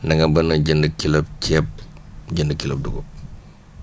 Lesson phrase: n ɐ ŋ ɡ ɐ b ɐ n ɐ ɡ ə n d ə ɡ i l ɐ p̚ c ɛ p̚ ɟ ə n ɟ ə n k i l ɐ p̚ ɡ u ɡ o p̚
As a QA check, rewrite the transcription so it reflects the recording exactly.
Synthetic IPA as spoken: n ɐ ŋ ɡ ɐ b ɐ n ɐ ɟ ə n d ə k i l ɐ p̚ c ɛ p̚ ɟ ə n d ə k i l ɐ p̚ d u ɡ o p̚